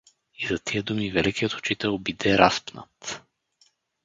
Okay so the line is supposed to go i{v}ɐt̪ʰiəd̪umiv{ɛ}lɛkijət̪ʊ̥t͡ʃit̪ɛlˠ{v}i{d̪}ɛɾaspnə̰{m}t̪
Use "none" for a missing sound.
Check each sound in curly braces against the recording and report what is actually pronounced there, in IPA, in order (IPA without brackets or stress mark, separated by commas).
z, ɛ, b, d̪, none